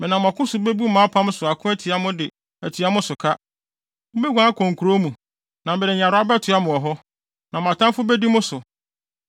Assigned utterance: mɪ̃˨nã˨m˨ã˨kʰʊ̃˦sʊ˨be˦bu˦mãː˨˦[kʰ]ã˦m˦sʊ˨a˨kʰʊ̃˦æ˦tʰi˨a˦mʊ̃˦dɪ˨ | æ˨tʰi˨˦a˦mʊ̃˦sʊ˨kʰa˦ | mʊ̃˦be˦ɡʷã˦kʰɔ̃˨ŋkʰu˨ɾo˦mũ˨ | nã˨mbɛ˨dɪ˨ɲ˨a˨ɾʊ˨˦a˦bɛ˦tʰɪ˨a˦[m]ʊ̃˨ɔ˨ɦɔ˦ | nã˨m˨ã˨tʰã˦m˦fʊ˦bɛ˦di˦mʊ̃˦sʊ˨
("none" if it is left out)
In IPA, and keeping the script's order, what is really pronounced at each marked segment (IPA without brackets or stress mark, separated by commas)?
pʰ, m